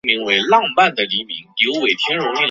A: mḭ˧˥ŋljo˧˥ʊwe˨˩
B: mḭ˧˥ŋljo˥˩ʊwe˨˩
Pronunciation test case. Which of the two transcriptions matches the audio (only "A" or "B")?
A